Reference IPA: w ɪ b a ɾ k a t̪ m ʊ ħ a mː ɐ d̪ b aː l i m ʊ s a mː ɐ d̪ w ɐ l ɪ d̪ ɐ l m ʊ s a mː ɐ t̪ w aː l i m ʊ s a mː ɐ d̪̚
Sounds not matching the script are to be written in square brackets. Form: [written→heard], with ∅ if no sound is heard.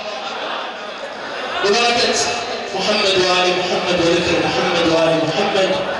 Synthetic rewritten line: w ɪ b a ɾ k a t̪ m ʊ ħ a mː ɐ d̪ [b→w] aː l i m ʊ [s→ħ] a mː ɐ d̪ w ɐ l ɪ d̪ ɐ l m ʊ [s→ħ] a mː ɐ [t̪→d̪] w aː l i m ʊ [s→ħ] a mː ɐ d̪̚